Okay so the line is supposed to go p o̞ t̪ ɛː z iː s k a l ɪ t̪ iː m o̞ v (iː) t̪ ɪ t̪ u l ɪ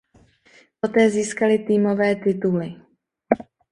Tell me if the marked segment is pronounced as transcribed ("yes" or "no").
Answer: no